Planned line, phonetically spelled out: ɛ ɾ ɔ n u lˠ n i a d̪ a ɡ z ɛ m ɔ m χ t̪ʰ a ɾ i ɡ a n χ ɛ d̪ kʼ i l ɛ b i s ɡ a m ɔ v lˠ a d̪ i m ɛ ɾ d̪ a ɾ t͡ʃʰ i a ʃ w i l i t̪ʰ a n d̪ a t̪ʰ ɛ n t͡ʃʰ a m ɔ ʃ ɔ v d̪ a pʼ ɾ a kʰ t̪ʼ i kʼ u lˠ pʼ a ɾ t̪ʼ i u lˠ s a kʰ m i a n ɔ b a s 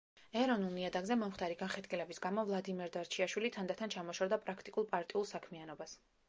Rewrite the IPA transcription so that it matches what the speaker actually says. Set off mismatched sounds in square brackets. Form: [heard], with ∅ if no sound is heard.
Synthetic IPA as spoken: ɛ ɾ ɔ n u lˠ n i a d̪ a ɡ z ɛ m ɔ m χ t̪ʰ a ɾ i ɡ a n χ ɛ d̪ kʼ i l ɛ b i s ɡ a m ɔ v lˠ a d̪ i m ɛ ɾ d̪ a ɾ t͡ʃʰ i a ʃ w i l i t̪ʰ a n d̪ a t̪ʰ [a] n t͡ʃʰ a m ɔ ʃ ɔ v d̪ a pʼ ɾ a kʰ t̪ʼ i kʼ u lˠ pʼ a ɾ t̪ʼ i u lˠ s a kʰ m i a n ɔ b a s